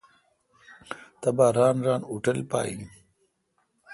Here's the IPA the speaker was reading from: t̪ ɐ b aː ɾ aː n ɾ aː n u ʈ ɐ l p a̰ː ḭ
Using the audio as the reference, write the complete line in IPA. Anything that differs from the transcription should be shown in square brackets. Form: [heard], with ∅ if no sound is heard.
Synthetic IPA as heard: t̪ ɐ b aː ɾ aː n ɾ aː n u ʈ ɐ l p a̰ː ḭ